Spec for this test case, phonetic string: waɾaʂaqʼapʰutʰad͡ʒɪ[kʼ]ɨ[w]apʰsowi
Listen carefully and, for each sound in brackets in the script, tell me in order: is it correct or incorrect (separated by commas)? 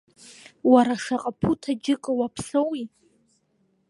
correct, correct